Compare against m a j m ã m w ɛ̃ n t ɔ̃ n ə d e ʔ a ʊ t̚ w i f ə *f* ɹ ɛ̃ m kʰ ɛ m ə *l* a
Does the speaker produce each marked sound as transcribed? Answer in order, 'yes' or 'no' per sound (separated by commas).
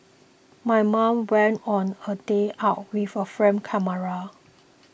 yes, no